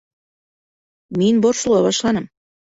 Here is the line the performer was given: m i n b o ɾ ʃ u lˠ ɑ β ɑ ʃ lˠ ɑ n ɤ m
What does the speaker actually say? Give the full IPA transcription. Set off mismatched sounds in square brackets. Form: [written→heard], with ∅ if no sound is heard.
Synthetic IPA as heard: m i n b o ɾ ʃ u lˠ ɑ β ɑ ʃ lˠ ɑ n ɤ m